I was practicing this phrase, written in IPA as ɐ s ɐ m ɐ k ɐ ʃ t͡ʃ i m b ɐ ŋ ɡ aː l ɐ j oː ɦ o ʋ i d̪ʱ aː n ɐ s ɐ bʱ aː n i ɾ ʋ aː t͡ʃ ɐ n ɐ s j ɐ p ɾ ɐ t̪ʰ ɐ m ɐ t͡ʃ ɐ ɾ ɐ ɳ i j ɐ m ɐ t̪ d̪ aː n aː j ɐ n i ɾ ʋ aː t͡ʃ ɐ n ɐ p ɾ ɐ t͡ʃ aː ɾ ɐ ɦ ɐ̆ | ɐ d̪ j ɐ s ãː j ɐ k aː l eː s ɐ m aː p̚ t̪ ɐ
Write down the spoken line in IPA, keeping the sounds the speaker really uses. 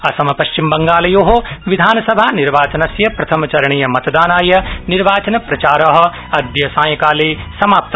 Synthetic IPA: ɐ s ɐ m ɐ p ɐ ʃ t͡ʃ i m b ɐ ŋ ɡ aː l ɐ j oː ɦ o ʋ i d̪ʱ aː n ɐ s ɐ bʱ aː n i ɾ ʋ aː t͡ʃ ɐ n ɐ s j ɐ p ɾ ɐ t̪ʰ ɐ m ɐ t͡ʃ ɐ ɾ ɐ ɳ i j ɐ m ɐ t̪ d̪ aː n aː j ɐ n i ɾ ʋ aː t͡ʃ ɐ n ɐ p ɾ ɐ t͡ʃ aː ɾ ɐ ɦ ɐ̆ | ɐ d̪ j ɐ s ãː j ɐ k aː l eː s ɐ m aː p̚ t̪ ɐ